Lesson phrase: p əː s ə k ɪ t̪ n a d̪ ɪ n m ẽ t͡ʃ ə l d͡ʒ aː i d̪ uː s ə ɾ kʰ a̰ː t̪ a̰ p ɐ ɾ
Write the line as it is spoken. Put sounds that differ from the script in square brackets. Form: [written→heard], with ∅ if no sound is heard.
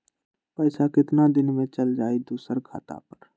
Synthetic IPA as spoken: p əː s [ə→a] k ɪ t̪ n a d̪ ɪ n m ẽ t͡ʃ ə l d͡ʒ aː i d̪ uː s ə ɾ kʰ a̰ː t̪ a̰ p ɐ ɾ